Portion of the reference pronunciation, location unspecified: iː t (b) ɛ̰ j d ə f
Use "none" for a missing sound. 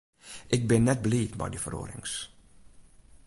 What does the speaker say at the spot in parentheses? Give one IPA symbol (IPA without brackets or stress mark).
b